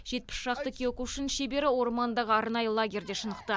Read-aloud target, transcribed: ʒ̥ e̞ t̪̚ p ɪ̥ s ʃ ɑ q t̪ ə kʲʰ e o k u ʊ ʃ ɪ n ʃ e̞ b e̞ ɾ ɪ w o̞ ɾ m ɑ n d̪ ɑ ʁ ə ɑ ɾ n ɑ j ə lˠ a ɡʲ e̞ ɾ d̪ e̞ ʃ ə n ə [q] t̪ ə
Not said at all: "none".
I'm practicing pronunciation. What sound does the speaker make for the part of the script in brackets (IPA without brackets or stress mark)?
q